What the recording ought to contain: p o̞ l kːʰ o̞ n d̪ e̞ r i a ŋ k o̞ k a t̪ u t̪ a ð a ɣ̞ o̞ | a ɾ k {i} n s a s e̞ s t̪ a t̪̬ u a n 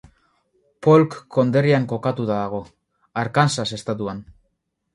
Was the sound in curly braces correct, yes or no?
no